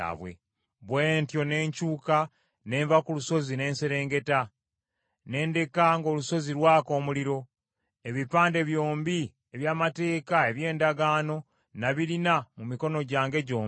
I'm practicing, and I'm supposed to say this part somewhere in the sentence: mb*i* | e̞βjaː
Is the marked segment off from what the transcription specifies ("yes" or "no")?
no